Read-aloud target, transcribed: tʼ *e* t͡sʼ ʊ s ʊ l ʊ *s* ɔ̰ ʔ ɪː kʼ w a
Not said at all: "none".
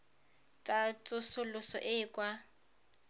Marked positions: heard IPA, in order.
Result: a, s

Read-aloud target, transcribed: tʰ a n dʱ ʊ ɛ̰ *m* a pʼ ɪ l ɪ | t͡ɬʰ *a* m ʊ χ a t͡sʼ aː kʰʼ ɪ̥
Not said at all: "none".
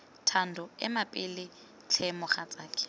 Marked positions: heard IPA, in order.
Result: m, ɛ

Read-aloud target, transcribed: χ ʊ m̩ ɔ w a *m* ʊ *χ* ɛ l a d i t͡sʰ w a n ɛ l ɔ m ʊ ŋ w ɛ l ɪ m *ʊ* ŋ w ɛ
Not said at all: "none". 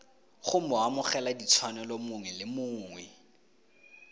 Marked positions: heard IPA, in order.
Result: m, χ, ʊː

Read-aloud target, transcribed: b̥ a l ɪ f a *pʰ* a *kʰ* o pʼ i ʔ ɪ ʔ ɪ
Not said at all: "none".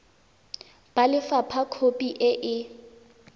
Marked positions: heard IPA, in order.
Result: pʰ, kʰ

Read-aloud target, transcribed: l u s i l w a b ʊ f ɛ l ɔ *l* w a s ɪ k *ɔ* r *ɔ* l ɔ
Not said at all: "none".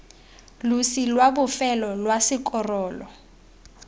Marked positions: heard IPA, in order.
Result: l, ɔ, ɔː

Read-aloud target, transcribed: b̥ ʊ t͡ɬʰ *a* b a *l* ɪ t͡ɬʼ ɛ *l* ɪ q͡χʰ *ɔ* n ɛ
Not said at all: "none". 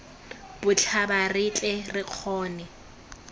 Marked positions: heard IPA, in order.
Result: a, r, r, ɔː

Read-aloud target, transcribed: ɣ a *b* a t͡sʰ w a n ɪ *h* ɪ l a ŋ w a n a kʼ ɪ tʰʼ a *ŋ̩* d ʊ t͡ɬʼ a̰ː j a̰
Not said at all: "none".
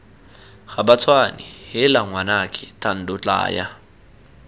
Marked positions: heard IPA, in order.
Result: b, h, n̩

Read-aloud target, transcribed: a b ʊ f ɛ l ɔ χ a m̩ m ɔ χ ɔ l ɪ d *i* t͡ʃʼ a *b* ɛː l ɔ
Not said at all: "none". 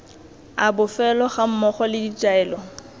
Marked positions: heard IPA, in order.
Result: i, none

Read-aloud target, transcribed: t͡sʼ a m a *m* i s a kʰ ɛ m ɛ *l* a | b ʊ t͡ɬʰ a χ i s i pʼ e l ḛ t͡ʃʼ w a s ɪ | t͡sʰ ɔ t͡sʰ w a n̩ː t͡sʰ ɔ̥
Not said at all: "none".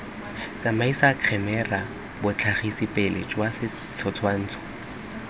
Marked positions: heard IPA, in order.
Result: none, r

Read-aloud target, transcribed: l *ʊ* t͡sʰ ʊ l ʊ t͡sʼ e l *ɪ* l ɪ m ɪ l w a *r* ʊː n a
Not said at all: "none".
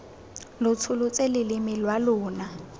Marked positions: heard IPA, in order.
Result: ʊ, ɪ, l

